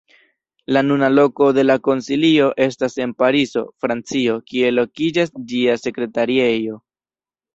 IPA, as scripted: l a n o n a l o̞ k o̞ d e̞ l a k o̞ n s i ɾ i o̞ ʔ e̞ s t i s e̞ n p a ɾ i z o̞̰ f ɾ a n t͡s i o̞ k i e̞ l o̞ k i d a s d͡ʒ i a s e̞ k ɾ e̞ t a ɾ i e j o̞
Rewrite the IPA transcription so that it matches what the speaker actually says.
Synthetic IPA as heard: l a n u n a l o̞ k o̞ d e̞ l a k o̞ n s i l i o̞ ʔ e̞ s t a s e̞ n p a ɾ i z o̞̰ f ɾ a n t͡s i o̞ k i e̞ l o̞ k i d͡ʒ a s d͡ʒ i a s e̞ k ɾ e̞ t a ɾ i e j o̞